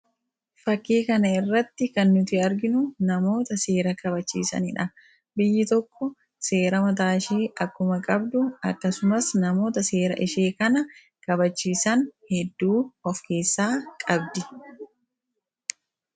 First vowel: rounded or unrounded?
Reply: unrounded